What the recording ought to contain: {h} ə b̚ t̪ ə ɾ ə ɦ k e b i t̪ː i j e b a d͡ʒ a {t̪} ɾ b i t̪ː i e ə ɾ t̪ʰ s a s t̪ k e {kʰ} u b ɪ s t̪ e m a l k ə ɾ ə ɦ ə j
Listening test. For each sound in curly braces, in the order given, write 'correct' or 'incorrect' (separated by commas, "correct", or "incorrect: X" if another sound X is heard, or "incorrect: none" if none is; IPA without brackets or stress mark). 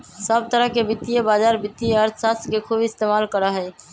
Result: incorrect: s, incorrect: none, correct